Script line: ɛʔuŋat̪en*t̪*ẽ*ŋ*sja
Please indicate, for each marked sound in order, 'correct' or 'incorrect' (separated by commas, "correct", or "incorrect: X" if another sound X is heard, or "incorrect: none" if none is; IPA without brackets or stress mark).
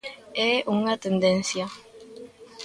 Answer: incorrect: d̪, incorrect: n